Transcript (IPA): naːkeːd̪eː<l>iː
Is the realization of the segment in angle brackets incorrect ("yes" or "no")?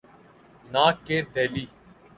no